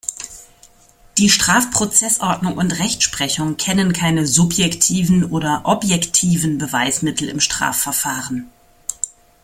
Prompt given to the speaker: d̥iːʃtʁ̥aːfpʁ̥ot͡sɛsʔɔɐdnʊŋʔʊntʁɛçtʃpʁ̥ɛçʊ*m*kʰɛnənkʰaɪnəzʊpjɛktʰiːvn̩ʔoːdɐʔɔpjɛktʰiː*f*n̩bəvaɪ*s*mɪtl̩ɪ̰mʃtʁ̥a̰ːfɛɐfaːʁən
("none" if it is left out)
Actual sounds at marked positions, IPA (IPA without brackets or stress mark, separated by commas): ŋ, v, s